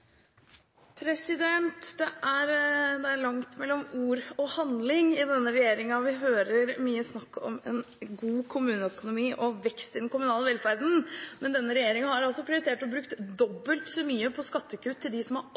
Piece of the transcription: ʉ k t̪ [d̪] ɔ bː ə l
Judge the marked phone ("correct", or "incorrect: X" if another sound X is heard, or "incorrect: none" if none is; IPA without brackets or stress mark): correct